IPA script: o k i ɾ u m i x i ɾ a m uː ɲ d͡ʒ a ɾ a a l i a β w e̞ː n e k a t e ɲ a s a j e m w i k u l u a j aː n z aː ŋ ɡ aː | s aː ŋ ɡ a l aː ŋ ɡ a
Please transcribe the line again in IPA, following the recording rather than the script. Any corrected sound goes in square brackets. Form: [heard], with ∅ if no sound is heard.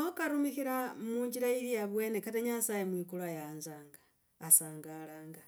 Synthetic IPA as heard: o k [a] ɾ u m i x i ɾ a m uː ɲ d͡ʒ [i] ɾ a [i] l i a β w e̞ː n e k a t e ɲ a s a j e m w i k u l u a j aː n z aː ŋ ɡ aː | s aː ŋ ɡ a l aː ŋ ɡ a